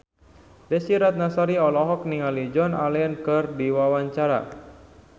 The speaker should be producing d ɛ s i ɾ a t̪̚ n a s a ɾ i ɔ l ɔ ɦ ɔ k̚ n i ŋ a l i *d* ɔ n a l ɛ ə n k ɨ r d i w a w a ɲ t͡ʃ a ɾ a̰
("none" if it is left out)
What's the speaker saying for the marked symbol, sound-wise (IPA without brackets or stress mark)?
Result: d͡ʒ